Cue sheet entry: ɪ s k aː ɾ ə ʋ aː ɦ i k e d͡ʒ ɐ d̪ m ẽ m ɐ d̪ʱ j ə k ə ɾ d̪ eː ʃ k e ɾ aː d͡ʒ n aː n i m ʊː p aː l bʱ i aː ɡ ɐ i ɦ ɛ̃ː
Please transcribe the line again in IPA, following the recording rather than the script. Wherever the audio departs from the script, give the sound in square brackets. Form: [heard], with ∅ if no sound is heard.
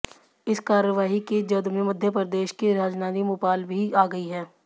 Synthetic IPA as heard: ɪ s k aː ɾ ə ʋ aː ɦ i k e d͡ʒ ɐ d̪ m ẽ m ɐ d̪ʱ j ə [p] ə ɾ d̪ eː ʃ k e ɾ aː d͡ʒ n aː n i m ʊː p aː l bʱ i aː ɡ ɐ i ɦ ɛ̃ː